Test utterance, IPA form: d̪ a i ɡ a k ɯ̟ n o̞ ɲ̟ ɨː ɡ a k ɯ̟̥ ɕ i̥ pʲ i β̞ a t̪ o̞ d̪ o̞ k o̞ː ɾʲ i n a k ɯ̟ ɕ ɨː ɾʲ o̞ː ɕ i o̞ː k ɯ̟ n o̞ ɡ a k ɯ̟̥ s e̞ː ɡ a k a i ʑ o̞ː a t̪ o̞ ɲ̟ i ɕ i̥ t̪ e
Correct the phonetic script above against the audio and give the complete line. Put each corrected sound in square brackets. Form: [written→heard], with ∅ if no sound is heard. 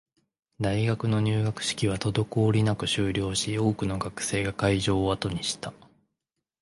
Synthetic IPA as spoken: d̪ a i ɡ a k ɯ̟ n o̞ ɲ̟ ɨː ɡ a k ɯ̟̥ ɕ i̥ [pʲ→kʲ] i β̞ a t̪ o̞ d̪ o̞ k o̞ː ɾʲ i n a k ɯ̟ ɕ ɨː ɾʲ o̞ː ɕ i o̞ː k ɯ̟ n o̞ ɡ a k ɯ̟̥ s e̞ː ɡ a k a i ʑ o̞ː a t̪ o̞ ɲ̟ i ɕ i̥ t̪ [e→a]